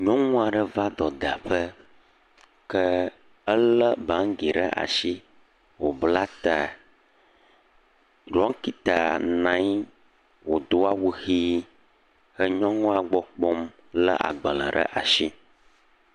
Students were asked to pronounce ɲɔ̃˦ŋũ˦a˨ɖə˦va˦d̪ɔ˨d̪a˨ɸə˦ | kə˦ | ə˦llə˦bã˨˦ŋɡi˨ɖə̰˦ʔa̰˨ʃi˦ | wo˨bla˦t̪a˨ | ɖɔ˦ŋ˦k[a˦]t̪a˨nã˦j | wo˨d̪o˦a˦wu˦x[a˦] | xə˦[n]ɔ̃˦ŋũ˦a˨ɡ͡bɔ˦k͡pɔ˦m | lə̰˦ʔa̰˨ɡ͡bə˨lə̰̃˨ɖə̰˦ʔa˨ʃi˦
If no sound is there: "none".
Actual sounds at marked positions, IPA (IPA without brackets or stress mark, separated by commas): i˦, i˦, ɲ